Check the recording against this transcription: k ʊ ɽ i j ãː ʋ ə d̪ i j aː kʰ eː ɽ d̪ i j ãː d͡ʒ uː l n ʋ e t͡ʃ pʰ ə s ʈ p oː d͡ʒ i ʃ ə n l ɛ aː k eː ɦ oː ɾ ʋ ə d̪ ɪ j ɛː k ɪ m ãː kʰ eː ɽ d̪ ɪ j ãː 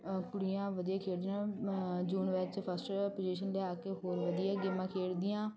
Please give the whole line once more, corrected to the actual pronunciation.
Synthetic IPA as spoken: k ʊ ɽ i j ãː ʋ ə d̪ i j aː kʰ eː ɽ d̪ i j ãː d͡ʒ uː n ʋ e t͡ʃ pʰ ə s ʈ p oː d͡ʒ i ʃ ə n l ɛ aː k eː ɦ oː ɾ ʋ ə d̪ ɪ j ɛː ɡ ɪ m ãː kʰ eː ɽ d̪ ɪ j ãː